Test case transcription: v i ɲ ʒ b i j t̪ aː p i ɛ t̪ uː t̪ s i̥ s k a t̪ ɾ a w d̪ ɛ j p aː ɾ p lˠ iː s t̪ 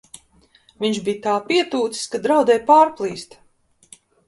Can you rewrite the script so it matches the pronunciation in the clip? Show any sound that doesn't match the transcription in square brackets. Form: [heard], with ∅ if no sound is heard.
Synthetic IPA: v i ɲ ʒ b i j t̪ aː p i ɛ t̪ uː t̪ s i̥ s k a [d̪] ɾ a w d̪ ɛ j p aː ɾ p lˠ iː s t̪